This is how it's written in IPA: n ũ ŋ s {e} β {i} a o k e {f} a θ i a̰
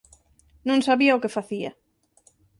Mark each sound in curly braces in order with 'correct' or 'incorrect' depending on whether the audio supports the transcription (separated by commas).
incorrect, correct, correct